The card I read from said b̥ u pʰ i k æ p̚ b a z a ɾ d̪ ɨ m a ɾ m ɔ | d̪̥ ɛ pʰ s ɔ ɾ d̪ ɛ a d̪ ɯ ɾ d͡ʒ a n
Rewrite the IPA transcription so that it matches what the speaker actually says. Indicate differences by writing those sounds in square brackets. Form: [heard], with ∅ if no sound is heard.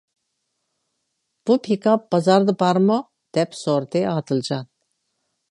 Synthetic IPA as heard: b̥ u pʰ i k [a] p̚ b a z a ɾ d̪ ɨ [b] a ɾ m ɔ | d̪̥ ɛ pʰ s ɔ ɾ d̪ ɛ a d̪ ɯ [l] d͡ʒ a n